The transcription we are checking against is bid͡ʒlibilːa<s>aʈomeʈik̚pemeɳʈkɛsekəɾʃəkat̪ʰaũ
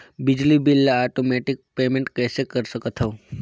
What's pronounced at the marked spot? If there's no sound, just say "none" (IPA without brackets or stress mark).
none